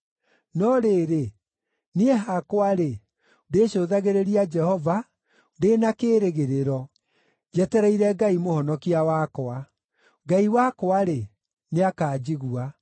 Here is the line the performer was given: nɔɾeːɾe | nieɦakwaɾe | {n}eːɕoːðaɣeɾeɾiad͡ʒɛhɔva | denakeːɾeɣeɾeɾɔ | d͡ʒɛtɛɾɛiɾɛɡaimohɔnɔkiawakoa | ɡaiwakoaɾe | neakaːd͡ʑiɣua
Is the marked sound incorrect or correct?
incorrect: d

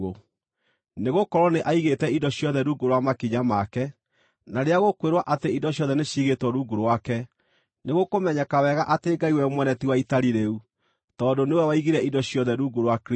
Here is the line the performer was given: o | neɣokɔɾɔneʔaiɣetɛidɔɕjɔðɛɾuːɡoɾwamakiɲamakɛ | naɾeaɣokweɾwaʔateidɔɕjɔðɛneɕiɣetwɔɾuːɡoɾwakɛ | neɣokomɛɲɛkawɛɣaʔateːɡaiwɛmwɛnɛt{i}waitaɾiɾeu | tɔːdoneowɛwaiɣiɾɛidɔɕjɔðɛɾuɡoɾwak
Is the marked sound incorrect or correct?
correct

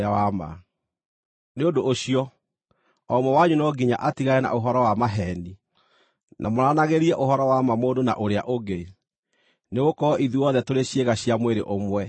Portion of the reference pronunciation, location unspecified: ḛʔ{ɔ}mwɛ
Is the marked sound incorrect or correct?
incorrect: o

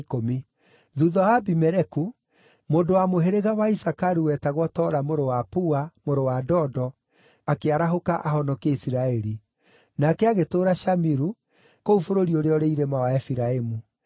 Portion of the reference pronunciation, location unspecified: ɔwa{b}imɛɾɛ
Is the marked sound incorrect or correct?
correct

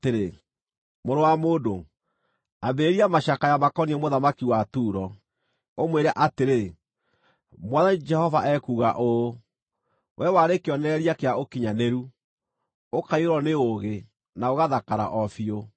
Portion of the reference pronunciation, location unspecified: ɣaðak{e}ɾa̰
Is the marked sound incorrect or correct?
incorrect: a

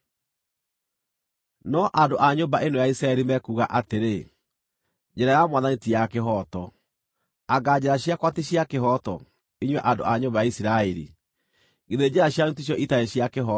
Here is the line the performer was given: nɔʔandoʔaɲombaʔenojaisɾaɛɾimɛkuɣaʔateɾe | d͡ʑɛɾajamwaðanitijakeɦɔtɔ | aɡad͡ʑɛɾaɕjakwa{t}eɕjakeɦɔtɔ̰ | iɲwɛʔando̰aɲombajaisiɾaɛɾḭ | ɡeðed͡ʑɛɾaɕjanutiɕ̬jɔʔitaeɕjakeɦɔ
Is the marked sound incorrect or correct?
correct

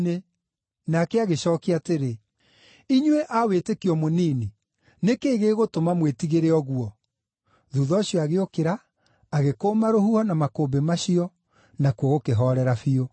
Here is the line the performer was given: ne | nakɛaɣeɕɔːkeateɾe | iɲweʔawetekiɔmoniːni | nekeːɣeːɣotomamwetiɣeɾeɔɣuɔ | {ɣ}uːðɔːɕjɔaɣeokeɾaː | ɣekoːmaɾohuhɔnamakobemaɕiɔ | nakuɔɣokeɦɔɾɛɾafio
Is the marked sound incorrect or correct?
incorrect: ð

